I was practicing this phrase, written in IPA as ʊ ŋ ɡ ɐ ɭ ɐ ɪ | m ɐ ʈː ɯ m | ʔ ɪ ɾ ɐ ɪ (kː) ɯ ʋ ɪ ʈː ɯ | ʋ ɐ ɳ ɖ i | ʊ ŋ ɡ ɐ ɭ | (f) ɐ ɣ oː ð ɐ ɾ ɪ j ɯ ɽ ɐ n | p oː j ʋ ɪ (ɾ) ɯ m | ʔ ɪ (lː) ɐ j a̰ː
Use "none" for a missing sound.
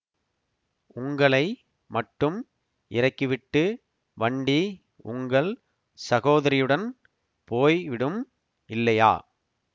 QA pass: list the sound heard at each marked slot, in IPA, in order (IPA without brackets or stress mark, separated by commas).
kː, s, ɽ, lː